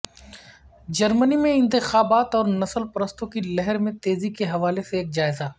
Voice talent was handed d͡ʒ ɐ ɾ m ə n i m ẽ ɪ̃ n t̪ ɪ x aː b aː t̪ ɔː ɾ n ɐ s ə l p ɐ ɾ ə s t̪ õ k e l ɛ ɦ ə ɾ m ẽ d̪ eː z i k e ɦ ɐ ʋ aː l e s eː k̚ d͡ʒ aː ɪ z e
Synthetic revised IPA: d͡ʒ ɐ ɾ m ə n i m ẽ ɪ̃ n t̪ ɪ x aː b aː t̪ ɔː ɾ n ɐ s ə l p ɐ ɾ ə s t̪ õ k i l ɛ ɦ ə ɾ m ẽ t̪ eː z i k e ɦ ɐ ʋ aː l e s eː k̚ d͡ʒ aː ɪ z a